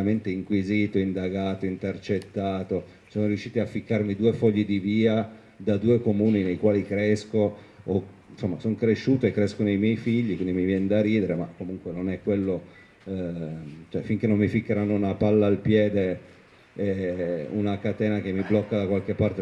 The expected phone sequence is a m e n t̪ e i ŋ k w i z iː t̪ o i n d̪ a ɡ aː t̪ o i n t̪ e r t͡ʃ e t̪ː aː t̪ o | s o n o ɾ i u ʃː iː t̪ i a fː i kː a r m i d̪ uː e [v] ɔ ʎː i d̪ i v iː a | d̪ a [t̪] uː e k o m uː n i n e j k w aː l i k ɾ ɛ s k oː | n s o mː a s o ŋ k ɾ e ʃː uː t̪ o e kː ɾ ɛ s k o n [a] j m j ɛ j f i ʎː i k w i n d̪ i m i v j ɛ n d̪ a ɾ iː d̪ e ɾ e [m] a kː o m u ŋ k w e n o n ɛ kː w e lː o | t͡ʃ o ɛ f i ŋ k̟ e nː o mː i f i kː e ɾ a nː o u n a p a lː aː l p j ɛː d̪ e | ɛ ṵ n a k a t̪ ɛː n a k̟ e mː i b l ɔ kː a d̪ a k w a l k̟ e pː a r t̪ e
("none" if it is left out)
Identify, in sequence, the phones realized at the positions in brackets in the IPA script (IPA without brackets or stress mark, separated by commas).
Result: f, d̪, e, m